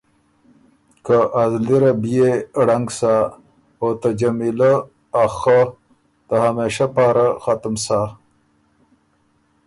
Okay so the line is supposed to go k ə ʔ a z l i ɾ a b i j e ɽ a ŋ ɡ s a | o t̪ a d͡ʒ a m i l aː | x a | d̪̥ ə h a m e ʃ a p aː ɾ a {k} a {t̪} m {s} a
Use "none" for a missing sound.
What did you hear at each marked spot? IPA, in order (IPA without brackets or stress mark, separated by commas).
x, t̪, s